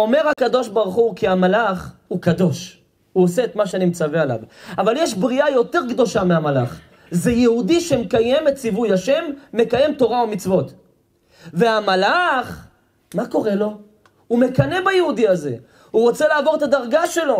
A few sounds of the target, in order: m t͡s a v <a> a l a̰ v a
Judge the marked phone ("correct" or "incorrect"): incorrect